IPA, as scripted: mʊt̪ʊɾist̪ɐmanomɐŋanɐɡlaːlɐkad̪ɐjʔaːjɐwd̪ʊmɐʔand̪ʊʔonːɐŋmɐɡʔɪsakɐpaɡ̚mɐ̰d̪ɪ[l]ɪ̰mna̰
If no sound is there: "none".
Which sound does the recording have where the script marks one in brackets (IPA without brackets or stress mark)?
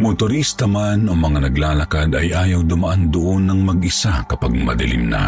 l